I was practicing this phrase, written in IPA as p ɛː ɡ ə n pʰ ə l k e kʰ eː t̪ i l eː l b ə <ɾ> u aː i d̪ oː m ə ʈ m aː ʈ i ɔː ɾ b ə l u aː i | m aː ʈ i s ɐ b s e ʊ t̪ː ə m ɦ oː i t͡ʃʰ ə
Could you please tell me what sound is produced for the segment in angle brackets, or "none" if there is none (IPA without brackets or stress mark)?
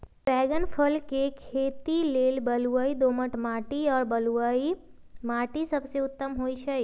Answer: l